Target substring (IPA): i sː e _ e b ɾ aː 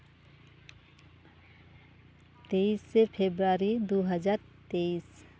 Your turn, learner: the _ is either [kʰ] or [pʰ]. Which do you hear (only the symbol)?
pʰ